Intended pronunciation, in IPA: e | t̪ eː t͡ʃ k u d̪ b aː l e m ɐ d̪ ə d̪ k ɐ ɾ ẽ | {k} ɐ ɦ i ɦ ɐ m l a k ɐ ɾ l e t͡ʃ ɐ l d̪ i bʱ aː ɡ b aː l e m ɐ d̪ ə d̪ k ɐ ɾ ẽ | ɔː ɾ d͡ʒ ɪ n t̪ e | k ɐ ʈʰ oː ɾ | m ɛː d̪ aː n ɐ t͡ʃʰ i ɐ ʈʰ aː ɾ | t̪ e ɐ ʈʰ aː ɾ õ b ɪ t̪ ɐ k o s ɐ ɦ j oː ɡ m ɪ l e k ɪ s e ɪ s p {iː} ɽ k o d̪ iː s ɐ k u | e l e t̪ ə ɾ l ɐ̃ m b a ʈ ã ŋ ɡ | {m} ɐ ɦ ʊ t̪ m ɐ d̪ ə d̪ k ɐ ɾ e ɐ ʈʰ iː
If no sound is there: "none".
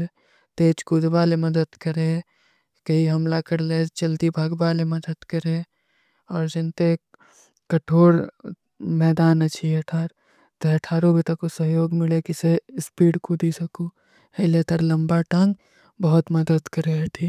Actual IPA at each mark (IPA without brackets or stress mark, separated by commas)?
k, iː, b